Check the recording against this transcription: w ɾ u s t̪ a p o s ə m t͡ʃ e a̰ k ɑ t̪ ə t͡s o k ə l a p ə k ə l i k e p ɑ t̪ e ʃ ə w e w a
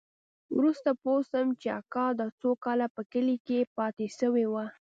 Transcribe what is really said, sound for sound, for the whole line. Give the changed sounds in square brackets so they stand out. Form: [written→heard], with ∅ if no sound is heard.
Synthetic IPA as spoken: w ɾ u s t̪ a p o s ə m t͡ʃ e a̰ k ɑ [t̪→d̪] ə t͡s o k [ə→ɑ] l a p ə k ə l i k e p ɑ t̪ e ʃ ə w e w a